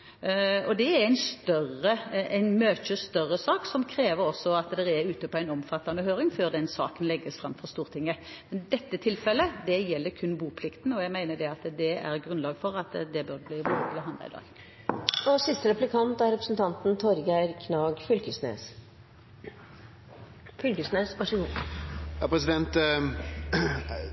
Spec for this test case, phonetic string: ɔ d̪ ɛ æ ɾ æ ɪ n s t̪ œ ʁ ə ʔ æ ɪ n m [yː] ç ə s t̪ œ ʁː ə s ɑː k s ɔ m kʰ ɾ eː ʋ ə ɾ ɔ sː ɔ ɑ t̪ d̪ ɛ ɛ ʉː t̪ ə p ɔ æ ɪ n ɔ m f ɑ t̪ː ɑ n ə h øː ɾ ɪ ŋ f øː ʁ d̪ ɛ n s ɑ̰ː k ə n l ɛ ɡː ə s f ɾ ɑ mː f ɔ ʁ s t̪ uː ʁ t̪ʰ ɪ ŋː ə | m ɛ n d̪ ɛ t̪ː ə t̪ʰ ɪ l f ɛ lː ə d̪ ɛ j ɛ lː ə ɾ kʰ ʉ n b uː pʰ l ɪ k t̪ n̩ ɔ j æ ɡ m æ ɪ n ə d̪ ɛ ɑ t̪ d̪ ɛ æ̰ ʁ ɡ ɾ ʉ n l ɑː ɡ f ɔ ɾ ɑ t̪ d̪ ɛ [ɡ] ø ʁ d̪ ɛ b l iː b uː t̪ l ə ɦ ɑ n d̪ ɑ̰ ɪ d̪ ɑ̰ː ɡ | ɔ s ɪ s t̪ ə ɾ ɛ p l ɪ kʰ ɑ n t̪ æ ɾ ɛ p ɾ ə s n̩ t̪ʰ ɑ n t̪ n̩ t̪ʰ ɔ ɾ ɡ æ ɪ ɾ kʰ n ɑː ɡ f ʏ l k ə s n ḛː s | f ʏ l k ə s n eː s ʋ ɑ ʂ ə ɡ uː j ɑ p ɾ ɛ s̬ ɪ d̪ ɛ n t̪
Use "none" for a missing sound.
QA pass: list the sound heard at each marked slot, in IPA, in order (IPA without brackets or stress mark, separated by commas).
øː, b